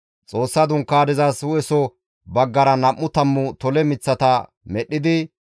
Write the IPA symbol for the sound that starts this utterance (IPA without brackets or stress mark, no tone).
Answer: t͡sʼ